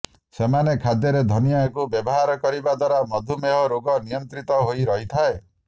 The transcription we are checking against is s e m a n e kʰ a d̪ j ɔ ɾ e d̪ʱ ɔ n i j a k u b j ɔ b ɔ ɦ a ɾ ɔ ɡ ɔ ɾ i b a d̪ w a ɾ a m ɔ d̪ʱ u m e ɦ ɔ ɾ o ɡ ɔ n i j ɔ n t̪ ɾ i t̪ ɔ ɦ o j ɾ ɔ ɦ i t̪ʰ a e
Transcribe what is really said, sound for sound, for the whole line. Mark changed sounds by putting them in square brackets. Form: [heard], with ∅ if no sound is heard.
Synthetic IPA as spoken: s e m a n e kʰ a d̪ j ɔ ɾ e d̪ʱ ɔ n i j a k u b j ɔ b ɔ ɦ a ɾ ɔ [k] ɔ ɾ i b a d̪ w a ɾ a m ɔ d̪ʱ u m e ɦ ɔ ɾ o ɡ ɔ n i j ɔ n t̪ ɾ i t̪ ɔ ɦ o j ɾ ɔ ɦ i t̪ʰ a e